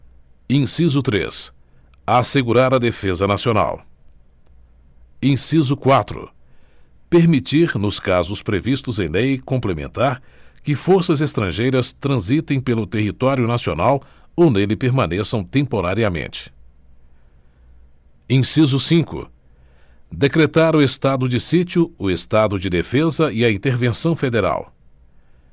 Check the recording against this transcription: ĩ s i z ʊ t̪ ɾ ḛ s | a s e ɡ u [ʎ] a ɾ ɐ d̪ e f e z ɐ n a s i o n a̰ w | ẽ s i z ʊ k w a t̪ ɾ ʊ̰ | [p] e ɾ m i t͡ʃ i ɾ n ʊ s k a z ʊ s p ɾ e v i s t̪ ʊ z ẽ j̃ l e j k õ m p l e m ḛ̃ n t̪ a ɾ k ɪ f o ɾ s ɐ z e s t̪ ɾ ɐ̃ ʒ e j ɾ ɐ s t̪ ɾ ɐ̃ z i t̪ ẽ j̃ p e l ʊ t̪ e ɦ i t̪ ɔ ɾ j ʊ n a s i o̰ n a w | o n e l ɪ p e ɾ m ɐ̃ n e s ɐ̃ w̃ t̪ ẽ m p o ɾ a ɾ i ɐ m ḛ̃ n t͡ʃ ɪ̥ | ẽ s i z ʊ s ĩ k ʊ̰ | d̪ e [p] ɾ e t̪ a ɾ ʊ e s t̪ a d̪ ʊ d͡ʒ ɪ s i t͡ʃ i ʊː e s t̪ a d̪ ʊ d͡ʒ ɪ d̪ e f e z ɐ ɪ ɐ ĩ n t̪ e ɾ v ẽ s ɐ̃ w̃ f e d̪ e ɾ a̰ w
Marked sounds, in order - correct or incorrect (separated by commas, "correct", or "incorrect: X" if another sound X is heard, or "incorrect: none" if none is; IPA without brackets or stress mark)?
incorrect: ɾ, correct, incorrect: k